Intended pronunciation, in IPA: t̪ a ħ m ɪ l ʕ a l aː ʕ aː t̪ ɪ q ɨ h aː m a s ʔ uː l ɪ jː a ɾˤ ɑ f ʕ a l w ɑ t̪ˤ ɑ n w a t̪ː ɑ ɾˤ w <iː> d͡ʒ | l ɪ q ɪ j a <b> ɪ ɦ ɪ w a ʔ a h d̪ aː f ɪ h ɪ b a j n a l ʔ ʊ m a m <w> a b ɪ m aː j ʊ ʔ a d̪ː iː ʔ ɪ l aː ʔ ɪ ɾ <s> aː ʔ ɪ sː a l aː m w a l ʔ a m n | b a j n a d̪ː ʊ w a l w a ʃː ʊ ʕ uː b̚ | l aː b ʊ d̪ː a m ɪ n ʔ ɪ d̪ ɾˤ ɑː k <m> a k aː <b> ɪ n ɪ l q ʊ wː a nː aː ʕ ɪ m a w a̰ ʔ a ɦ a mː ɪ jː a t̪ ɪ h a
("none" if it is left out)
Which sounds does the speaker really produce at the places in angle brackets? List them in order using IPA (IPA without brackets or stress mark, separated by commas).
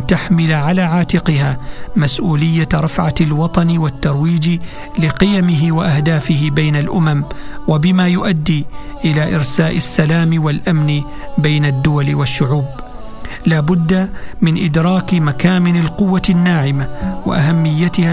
iː, m, w, s, m, m